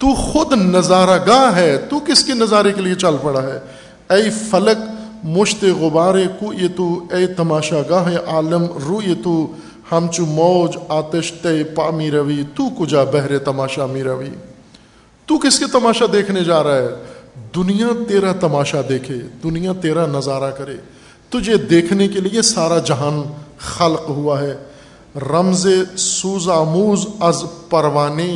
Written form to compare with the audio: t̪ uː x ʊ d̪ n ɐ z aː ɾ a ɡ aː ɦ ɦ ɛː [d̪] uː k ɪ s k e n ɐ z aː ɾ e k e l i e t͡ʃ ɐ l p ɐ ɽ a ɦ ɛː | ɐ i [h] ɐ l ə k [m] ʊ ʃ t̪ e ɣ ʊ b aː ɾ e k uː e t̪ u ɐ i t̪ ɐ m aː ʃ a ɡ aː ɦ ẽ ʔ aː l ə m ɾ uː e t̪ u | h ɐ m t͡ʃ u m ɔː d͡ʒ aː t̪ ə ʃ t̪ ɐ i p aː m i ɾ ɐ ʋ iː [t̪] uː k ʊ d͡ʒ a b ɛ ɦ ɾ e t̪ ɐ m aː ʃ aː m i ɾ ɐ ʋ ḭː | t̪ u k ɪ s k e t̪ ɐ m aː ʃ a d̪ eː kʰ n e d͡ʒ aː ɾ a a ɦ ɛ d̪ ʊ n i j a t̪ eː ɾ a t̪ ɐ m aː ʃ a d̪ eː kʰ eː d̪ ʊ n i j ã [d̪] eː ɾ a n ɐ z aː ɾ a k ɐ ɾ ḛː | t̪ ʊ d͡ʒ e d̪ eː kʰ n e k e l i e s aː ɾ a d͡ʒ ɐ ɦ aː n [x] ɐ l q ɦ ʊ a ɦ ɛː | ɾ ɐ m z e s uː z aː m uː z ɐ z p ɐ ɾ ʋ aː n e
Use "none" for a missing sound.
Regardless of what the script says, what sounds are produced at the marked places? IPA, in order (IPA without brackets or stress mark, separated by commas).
t̪, f, m, t̪, t̪, x